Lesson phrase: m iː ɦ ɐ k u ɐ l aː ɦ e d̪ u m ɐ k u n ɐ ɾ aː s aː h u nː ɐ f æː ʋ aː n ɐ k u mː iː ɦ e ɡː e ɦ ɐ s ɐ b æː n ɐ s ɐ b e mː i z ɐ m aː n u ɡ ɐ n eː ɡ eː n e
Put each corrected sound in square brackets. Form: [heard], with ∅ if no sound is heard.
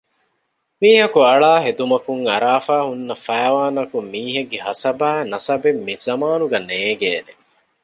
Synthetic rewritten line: m iː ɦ ɐ k u ɐ [ɭ] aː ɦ e d̪ u m ɐ k u [ŋ] ɐ ɾ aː [f] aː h u nː ɐ f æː ʋ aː n ɐ k u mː iː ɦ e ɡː e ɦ ɐ s ɐ b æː n ɐ s ɐ b e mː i z ɐ m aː n u ɡ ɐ n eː ɡ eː n e